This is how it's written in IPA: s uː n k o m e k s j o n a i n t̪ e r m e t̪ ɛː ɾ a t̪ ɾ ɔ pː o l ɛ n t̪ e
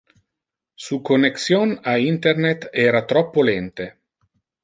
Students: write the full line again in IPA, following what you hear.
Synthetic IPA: s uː k o n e k s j o n a i n t̪ e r n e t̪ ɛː ɾ a t̪ ɾ ɔ pː o l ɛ n t̪ e